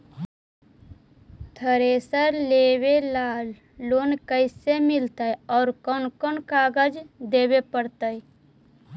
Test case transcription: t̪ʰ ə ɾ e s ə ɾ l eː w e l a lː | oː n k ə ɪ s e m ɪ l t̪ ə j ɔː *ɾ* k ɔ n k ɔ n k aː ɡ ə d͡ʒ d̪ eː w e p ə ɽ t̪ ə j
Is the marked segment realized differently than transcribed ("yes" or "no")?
no